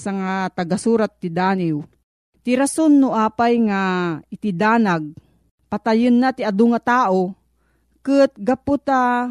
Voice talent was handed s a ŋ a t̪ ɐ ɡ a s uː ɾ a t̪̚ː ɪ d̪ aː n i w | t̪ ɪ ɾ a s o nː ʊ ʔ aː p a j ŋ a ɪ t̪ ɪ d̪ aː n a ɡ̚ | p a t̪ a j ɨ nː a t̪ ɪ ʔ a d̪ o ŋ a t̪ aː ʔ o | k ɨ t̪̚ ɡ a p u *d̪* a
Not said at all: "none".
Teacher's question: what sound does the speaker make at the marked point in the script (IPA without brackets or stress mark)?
t̪